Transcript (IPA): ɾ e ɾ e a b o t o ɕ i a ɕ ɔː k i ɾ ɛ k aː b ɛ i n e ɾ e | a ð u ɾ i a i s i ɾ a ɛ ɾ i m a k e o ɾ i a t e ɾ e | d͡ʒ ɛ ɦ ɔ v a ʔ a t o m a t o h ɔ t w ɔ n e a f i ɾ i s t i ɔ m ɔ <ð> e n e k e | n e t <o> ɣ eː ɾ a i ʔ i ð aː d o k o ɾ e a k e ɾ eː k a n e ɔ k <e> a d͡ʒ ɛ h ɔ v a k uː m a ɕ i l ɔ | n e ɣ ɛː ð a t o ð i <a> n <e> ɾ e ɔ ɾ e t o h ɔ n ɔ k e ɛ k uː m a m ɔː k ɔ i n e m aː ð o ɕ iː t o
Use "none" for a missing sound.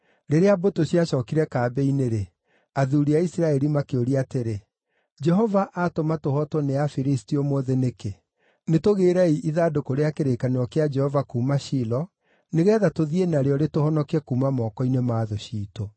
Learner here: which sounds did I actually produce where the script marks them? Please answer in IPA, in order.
ð, o, e, e, a

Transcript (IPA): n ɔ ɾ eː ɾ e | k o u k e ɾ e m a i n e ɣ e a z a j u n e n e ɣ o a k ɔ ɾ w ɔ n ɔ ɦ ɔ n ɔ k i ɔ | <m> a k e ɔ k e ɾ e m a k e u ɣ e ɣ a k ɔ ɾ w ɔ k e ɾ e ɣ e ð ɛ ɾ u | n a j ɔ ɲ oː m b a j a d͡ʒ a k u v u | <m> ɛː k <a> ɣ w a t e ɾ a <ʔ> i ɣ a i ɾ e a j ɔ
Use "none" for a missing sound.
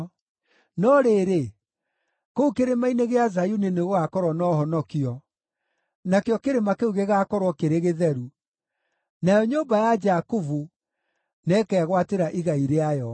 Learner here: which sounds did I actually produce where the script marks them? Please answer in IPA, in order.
n, n, ɛ, ʔ

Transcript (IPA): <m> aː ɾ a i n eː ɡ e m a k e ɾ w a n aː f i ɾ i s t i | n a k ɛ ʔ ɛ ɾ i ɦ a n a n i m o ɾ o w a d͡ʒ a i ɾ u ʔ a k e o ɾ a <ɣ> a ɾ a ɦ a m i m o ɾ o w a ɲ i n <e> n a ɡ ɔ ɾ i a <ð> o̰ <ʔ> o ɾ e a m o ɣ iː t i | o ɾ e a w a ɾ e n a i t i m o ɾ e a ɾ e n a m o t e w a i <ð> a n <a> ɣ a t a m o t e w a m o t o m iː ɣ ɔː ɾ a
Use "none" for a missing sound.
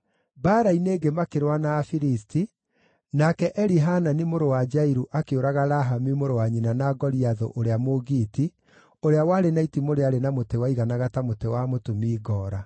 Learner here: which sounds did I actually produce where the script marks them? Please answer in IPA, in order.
b, ɣ, a, ð, ʔ, ɣ, a

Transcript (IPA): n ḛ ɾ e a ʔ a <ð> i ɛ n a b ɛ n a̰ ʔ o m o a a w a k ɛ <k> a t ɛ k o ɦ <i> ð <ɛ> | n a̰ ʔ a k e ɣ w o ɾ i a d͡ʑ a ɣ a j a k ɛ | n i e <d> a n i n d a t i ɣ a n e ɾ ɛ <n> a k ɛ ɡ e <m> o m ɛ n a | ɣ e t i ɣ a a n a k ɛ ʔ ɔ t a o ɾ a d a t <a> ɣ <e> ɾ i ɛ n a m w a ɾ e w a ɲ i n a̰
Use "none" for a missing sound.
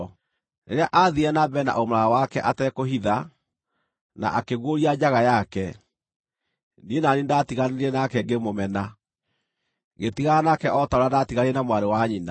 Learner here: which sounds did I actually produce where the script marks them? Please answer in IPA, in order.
ð, ʔ, i, a, n, n, m, i, a

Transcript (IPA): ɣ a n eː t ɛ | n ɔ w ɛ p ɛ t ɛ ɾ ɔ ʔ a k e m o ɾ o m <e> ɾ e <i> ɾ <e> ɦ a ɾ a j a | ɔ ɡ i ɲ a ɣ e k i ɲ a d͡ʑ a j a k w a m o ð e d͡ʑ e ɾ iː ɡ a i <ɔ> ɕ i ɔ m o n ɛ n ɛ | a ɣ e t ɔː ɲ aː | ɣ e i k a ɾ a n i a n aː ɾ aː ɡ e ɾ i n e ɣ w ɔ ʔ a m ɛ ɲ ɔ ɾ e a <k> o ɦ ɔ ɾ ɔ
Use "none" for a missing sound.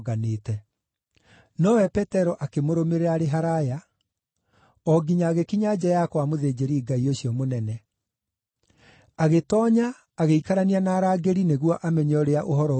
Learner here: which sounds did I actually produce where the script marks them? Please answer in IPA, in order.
e, a, e, o, ʔ

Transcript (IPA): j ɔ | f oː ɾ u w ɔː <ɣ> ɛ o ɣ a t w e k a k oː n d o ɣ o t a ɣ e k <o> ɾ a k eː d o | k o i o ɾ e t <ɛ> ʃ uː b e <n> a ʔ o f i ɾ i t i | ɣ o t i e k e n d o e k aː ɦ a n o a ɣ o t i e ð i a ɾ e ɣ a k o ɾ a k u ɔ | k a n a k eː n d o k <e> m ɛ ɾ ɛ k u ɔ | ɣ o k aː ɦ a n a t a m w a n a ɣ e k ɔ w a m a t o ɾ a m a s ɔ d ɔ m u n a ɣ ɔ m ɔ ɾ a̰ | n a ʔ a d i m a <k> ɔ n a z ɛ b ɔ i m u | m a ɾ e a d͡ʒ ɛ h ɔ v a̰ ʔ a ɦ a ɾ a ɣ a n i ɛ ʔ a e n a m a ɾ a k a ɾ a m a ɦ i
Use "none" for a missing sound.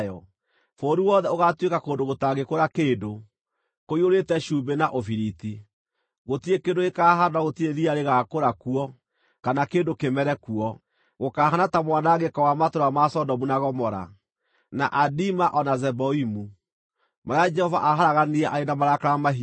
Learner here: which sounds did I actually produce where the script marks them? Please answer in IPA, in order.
ð, o, ɛ, n, e, ʔ

